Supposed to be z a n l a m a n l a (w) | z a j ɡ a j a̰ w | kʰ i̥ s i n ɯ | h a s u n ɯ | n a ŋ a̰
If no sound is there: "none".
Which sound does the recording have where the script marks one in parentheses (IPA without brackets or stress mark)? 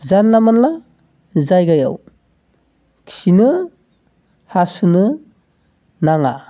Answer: none